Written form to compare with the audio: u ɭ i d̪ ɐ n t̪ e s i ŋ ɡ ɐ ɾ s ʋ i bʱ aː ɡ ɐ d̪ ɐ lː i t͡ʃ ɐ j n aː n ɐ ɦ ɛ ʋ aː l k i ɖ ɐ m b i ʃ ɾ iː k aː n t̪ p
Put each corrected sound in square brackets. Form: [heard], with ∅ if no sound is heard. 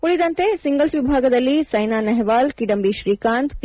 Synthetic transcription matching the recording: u ɭ i d̪ ɐ n t̪ e s i ŋ ɡ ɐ [l] s ʋ i bʱ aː ɡ ɐ d̪ ɐ lː i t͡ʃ ɐ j n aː n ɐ ɦ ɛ ʋ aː l k i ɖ ɐ m b i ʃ ɾ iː k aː n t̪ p